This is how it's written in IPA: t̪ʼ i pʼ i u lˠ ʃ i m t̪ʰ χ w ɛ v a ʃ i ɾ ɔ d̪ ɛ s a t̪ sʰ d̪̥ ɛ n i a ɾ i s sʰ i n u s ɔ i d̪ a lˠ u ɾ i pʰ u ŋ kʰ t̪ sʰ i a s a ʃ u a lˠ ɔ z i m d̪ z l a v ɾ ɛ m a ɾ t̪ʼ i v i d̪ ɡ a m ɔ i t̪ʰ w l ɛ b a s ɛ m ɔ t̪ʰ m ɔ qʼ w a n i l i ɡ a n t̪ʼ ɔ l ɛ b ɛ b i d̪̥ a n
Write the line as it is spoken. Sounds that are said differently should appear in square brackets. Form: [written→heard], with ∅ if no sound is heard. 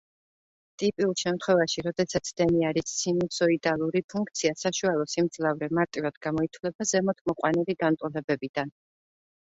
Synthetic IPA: t̪ʼ i pʼ i u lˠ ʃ [i→ɛ] m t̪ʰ χ w ɛ v a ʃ i ɾ ɔ d̪ ɛ s a t̪ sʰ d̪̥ ɛ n i a ɾ i s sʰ i n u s ɔ i d̪ a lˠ u ɾ i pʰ u ŋ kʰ t̪ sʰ i a s a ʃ u a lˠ ɔ [z→s] i m d̪ z l a v ɾ ɛ m a ɾ t̪ʼ i v [i→a] d̪ ɡ a m ɔ i t̪ʰ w l ɛ b a [s→z] ɛ m ɔ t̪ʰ m ɔ qʼ w a n i l i ɡ a n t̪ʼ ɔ l ɛ b ɛ b i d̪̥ a n